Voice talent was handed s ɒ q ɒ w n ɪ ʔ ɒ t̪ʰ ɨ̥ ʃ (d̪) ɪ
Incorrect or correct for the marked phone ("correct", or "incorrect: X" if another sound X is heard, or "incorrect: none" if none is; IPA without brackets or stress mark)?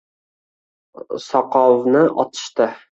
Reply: incorrect: t̪